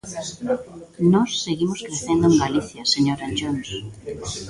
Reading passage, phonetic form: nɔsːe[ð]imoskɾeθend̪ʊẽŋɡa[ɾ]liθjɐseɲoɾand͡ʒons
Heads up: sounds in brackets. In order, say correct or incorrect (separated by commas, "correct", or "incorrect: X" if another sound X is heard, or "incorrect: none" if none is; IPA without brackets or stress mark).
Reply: incorrect: ɣ, incorrect: none